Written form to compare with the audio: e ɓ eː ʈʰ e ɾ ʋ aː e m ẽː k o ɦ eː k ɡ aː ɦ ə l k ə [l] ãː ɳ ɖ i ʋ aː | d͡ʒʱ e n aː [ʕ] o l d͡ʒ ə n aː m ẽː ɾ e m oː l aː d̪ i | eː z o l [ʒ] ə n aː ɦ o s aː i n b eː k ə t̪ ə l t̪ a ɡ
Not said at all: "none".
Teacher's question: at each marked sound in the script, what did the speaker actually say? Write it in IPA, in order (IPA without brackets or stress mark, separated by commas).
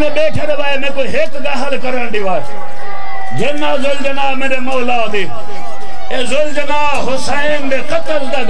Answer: ɾ, z, d͡ʒ